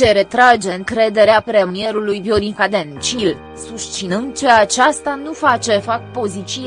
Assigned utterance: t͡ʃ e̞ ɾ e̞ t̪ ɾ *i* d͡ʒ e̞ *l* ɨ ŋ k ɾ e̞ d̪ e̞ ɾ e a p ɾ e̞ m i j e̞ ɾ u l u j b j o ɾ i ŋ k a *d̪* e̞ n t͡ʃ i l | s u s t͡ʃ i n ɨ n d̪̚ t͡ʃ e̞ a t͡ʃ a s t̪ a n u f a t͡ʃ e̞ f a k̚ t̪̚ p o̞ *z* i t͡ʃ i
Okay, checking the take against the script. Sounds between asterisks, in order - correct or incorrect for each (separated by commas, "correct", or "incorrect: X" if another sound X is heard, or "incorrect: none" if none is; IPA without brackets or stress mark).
incorrect: a, incorrect: none, correct, correct